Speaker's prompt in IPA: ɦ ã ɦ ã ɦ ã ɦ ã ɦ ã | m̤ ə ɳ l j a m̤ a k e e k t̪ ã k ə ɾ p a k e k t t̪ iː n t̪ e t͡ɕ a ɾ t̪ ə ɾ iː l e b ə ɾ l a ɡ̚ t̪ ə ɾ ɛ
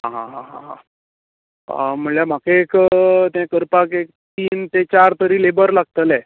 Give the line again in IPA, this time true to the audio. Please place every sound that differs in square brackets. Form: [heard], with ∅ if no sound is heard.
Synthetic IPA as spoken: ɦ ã ɦ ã ɦ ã ɦ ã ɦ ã | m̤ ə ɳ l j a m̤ a k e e k t̪ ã k ə ɾ p a k e k t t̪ iː n t̪ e t͡ɕ a ɾ t̪ ə ɾ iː l e b ə ɾ l a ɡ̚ t̪ ə [l] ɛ